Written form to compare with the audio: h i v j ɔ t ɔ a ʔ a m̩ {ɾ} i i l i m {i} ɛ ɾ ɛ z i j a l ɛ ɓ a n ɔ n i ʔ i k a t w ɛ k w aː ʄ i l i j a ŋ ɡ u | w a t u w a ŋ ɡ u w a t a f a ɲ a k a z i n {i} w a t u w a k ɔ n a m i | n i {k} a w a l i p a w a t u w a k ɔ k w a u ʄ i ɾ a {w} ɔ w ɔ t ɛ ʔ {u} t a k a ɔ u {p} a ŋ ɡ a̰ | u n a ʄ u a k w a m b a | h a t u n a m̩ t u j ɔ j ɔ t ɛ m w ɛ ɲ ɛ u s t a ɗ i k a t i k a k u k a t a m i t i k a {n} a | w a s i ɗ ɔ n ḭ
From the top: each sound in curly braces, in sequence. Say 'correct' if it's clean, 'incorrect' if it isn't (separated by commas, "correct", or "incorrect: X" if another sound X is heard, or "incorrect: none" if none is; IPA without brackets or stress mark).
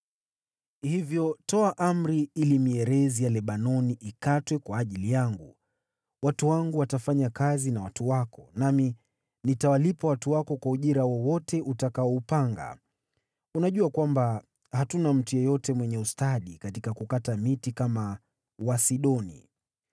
correct, correct, incorrect: a, incorrect: t, correct, correct, correct, incorrect: m